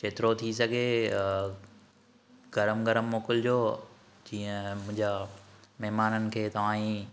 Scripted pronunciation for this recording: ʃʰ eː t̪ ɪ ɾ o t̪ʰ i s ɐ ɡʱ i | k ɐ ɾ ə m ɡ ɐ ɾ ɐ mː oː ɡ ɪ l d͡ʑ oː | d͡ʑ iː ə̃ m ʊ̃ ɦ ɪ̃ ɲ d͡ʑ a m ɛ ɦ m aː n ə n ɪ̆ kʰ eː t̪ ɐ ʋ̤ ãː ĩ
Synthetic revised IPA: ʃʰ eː t̪ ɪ ɾ o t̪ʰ i s ɐ ɡʱ e | ɡ ɐ ɾ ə m ɡ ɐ ɾ ə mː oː k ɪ l d͡ʑ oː | d͡ʑ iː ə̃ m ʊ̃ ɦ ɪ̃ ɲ d͡ʑ a m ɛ ɦ m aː n ə n ɪ̆ kʰ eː t̪ ɐ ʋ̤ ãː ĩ